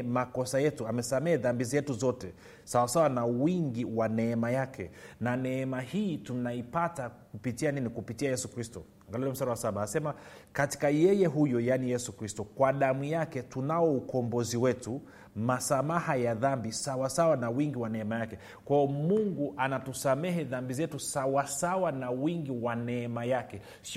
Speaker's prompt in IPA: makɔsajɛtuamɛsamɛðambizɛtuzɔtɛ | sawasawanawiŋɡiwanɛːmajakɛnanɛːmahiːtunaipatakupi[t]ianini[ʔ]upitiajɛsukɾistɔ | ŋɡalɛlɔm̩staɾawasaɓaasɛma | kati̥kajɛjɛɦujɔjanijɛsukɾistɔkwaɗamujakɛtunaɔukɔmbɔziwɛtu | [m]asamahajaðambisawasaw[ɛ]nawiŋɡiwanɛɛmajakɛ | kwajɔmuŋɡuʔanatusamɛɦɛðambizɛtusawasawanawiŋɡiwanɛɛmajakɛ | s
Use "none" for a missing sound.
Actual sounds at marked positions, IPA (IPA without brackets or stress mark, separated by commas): t, k, m, a